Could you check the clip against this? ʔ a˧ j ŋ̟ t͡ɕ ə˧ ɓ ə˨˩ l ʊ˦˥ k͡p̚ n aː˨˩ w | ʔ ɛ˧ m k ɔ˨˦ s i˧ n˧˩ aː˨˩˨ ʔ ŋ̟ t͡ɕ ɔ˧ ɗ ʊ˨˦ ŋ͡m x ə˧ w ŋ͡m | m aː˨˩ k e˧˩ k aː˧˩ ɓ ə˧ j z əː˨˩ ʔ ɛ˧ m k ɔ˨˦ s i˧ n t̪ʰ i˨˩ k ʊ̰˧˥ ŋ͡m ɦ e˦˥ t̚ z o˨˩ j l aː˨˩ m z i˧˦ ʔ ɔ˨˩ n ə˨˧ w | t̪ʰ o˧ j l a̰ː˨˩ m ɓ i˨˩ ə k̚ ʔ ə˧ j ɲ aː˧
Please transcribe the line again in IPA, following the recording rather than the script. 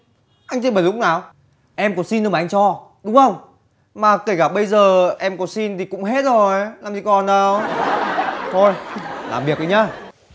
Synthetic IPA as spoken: ʔ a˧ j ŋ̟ t͡ɕ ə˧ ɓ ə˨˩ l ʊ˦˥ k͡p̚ n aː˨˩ w | ʔ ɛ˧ m k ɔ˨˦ s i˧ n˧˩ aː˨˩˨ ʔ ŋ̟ t͡ɕ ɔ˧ ɗ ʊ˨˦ ŋ͡m x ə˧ w ŋ͡m | m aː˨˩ k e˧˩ k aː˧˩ ɓ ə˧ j z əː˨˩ ʔ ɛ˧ m k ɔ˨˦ s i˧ n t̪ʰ i˨˩ k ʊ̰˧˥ ŋ͡m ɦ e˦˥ t̚ z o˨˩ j l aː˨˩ m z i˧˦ k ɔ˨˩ n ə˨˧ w | t̪ʰ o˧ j l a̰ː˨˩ m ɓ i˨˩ ə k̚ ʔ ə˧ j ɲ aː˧

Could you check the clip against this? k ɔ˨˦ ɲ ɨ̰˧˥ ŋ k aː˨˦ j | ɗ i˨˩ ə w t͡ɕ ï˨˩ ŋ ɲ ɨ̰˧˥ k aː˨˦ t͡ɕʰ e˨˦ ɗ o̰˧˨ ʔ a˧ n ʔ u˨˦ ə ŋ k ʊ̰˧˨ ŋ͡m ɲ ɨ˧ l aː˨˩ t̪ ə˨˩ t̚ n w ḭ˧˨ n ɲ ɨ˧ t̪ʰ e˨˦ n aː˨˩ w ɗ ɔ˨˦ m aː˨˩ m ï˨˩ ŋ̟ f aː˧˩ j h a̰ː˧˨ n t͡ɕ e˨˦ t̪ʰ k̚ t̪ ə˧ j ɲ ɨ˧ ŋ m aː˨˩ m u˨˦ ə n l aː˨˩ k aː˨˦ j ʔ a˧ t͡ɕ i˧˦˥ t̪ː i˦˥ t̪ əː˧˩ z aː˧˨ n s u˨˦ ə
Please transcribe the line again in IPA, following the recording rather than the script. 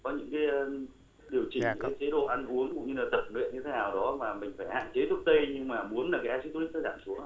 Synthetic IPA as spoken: k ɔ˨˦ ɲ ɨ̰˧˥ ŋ k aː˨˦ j | ɗ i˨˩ ə w t͡ɕ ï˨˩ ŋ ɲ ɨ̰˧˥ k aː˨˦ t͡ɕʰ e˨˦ ɗ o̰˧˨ ʔ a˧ n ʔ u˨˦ ə ŋ k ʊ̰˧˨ ŋ͡m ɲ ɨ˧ l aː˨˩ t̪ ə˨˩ p̚ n w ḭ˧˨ n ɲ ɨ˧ t̪ʰ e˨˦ n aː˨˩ w ɗ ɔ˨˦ m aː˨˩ m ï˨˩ ŋ̟ f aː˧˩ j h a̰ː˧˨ n t͡ɕ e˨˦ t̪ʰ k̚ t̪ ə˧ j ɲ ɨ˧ ŋ m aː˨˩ m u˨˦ ə n l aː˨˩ k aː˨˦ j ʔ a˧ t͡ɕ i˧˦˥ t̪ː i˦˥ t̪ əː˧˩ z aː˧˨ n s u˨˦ ə

